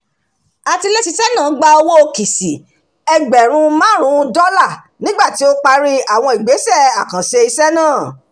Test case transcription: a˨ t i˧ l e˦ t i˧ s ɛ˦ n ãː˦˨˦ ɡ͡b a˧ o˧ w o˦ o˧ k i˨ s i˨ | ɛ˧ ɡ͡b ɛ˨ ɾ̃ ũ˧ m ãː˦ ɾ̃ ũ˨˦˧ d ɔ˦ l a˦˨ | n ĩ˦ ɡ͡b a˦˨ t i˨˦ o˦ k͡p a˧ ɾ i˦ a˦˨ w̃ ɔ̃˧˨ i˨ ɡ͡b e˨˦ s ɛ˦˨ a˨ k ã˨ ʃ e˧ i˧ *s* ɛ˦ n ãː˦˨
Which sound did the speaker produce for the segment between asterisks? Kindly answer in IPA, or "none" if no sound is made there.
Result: s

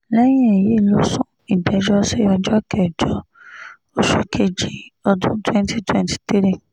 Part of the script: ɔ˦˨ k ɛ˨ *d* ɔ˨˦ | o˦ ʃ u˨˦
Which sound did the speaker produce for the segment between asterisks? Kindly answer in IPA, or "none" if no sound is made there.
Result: d͡ʒ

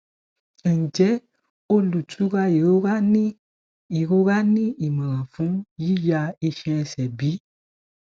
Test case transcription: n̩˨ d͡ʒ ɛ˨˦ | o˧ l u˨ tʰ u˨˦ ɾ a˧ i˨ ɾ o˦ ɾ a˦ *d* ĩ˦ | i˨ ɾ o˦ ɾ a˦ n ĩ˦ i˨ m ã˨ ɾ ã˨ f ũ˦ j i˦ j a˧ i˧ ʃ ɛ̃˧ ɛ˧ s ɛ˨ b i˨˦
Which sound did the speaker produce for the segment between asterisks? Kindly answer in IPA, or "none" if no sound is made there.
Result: n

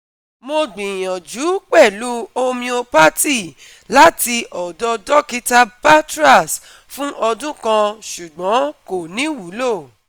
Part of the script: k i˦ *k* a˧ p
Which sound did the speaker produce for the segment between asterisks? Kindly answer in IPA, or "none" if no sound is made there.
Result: t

